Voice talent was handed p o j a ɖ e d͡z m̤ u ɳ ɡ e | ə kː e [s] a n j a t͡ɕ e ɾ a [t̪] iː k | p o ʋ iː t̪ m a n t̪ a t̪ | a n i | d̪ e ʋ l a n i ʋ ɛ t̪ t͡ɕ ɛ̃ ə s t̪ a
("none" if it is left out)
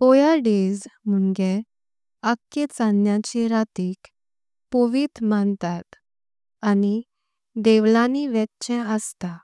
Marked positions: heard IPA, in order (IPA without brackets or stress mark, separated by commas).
t͡s, t̪